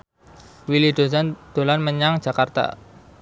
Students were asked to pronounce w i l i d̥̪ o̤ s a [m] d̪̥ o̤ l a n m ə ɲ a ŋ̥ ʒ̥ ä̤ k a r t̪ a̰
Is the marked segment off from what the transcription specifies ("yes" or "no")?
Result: yes